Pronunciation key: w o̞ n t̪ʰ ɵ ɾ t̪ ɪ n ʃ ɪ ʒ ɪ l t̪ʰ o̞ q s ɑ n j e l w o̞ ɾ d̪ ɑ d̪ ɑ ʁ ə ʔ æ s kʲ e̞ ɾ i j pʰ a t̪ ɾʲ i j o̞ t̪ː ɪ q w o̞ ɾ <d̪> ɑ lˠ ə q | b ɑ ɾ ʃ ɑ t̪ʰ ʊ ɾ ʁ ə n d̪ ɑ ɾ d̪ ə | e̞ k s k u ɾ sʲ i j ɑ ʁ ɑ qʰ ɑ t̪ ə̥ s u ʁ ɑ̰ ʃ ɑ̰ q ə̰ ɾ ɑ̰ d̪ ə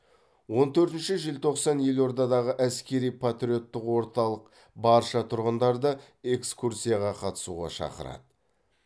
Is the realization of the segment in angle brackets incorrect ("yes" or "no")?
yes